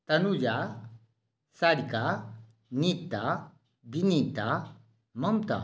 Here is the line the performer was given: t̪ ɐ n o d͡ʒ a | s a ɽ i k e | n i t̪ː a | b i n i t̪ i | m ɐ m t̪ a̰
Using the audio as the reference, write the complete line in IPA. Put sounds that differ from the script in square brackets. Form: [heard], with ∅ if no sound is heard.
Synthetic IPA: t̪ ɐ n [u] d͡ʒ a | s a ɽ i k [a] | n i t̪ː a | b i n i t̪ [a] | m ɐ m t̪ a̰